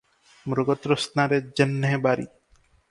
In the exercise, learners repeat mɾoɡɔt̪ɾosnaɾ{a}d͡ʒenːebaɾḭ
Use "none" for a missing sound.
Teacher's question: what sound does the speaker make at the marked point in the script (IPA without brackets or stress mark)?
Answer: e